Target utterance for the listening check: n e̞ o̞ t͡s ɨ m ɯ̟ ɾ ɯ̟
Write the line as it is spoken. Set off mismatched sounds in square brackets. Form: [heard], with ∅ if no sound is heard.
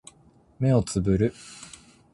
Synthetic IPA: [m] e̞ o̞ t͡s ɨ [b] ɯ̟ ɾ ɯ̟